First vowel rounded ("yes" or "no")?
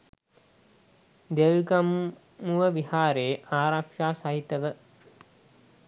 no